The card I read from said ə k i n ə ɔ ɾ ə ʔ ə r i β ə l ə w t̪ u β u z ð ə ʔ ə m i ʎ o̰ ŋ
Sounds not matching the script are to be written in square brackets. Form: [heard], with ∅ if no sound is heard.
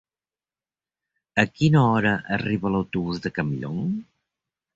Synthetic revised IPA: ə k i n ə ɔ ɾ ə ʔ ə r i β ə l ə w t̪ u β u z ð ə [k] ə m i ʎ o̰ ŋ